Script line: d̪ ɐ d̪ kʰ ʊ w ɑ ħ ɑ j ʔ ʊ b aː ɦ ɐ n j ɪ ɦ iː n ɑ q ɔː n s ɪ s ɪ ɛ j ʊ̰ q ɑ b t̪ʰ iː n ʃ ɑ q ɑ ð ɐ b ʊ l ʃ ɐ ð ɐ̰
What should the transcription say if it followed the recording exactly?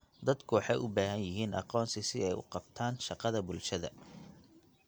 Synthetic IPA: d̪ ɐ d̪ kʰ ʊ w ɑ ħ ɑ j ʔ ʊ b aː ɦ ɐ n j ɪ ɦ iː n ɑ q ɔː n s ɪ s ɪ ɛ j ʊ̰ q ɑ b t̪ʰ aː n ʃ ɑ q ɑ ð ɐ b ʊ l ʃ ɐ ð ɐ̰